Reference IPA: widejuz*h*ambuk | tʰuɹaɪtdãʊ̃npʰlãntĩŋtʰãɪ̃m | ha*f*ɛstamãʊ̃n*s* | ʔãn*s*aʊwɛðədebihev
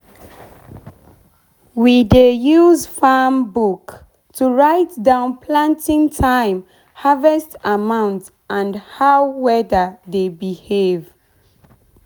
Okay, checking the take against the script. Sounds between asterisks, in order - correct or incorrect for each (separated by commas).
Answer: incorrect, incorrect, incorrect, incorrect